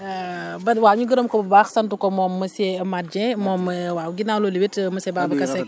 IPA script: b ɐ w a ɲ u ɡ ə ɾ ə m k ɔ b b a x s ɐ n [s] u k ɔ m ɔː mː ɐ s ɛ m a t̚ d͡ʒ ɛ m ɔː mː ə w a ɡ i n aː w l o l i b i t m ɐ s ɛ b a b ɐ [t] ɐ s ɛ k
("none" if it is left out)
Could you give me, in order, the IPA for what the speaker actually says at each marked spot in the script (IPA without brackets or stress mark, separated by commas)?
t, k